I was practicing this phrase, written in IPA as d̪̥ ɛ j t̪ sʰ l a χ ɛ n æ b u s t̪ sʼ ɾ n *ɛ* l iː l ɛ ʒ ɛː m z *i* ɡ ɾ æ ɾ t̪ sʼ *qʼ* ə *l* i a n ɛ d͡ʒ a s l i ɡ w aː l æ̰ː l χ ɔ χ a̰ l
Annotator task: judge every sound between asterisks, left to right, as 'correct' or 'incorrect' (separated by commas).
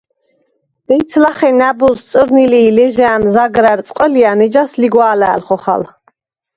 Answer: incorrect, incorrect, correct, correct